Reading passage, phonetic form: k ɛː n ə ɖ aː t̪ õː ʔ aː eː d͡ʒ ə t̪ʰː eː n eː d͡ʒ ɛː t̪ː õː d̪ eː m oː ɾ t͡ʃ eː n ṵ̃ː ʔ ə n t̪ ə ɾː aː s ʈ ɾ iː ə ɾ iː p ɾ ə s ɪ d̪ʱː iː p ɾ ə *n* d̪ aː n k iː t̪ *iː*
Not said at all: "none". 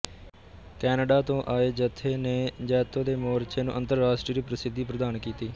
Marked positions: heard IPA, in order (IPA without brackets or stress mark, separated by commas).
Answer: none, iː